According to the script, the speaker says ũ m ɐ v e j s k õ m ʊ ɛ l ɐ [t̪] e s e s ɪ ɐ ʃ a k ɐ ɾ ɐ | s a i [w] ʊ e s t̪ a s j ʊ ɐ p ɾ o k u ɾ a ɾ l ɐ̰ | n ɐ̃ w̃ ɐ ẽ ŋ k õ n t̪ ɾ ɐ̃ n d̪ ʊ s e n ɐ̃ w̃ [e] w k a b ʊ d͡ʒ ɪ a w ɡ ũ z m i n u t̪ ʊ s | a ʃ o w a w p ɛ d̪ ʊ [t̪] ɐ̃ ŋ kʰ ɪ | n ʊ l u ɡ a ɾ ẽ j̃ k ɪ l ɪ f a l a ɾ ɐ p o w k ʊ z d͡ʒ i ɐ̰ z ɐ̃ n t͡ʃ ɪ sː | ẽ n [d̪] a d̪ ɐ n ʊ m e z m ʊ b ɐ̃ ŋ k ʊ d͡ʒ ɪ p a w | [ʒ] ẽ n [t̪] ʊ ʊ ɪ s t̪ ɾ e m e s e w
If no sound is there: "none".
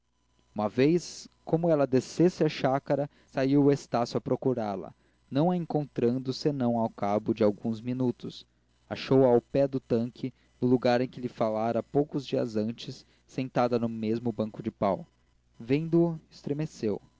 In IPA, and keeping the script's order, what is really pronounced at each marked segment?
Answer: d̪, w, a, t̪, t̪, v, d̪

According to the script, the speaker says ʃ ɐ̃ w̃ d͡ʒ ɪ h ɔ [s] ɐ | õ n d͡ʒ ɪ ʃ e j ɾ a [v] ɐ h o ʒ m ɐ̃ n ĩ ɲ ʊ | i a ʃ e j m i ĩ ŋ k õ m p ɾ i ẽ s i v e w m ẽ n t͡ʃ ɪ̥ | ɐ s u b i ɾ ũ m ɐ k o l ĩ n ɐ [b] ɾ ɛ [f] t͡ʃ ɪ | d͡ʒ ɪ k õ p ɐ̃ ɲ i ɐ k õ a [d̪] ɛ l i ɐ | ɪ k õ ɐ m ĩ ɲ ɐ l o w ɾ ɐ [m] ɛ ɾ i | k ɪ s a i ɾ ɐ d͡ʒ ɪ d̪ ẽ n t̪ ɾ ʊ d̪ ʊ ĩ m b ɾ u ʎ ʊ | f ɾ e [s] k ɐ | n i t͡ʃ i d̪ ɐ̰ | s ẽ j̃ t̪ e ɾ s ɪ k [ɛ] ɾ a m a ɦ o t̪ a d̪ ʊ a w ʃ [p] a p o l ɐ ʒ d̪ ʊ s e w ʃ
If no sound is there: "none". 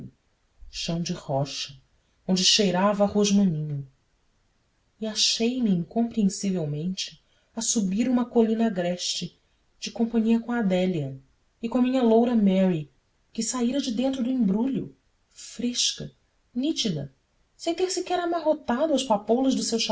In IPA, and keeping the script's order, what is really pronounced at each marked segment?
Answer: ʃ, v, ɡ, ʃ, d̪, m, ʃ, ɛ, p

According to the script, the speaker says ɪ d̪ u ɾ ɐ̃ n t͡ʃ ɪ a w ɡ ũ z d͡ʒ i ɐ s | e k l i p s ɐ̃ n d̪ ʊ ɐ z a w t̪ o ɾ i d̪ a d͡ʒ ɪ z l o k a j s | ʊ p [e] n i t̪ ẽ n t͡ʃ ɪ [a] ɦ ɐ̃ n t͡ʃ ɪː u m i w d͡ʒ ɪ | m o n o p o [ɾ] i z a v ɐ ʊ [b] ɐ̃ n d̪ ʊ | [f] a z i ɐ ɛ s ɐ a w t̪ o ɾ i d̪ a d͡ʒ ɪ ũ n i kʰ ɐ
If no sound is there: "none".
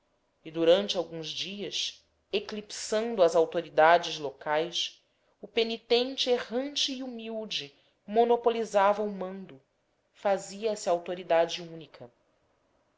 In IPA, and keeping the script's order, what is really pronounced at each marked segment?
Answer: e, e, l, m, f

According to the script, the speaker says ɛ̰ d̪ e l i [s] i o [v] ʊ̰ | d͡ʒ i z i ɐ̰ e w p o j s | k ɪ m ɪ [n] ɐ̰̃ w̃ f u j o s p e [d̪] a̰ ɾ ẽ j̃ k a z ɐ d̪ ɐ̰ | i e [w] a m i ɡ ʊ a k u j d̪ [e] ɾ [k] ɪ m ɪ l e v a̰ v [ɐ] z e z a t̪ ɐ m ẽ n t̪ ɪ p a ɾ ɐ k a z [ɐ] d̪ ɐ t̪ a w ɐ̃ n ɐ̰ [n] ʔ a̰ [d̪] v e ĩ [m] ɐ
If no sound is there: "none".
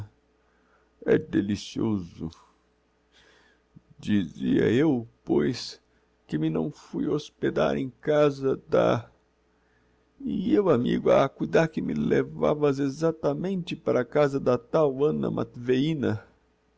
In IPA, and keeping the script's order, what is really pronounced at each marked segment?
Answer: s, z, n, d̪, w, a, k, ɐ, ɐ, m, t̪, n

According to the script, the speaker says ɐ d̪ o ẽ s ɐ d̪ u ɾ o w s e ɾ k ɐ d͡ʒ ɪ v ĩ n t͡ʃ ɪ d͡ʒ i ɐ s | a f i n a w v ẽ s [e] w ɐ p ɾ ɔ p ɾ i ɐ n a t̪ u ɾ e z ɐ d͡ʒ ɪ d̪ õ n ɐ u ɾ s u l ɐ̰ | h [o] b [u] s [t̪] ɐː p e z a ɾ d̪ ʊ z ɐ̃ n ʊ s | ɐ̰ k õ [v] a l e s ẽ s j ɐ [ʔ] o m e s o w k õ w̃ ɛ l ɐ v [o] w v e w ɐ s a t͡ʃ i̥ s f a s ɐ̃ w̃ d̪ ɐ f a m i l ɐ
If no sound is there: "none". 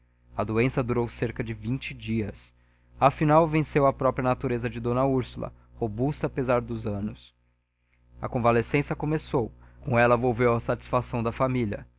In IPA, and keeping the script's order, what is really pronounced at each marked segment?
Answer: e, o, u, t̪, v, k, o

